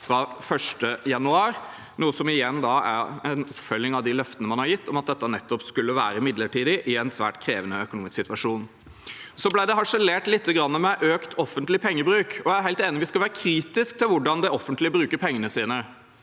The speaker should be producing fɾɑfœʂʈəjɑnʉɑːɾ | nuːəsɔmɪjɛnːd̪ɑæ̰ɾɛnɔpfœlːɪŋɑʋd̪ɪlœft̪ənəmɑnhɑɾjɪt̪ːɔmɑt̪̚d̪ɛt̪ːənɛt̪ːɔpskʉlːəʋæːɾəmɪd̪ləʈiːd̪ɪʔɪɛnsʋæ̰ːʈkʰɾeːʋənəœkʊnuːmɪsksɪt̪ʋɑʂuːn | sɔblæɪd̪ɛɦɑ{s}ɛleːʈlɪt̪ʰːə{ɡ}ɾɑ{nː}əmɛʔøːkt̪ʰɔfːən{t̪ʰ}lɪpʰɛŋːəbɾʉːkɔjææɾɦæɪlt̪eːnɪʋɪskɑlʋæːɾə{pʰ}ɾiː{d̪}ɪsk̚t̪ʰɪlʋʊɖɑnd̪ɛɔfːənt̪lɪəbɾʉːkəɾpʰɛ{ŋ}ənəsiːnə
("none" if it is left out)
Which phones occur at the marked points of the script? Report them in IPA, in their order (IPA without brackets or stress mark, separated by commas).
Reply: ʂ, ɡ, nː, t̪, kʰ, t̪, ŋː